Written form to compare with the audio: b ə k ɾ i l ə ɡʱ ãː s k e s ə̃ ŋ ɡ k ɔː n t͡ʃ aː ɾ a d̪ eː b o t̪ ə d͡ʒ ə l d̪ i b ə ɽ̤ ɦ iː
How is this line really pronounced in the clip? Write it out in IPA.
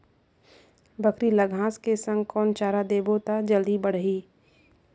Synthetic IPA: b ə k ɾ i l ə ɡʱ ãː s k e s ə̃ ŋ ɡ k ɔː n t͡ʃ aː ɾ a d̪ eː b o t̪ a d͡ʒ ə l d̪ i b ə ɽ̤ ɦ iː